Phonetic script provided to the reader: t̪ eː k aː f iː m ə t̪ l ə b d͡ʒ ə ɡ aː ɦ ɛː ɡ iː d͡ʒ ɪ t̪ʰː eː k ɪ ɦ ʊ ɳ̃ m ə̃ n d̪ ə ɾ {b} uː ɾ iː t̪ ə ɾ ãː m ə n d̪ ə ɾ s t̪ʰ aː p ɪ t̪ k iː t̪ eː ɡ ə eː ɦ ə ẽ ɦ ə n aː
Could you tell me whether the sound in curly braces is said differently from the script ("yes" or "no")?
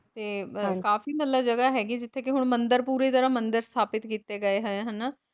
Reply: yes